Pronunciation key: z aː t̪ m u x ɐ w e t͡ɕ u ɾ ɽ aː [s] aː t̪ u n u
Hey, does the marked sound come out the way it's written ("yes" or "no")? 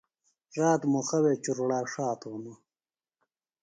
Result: no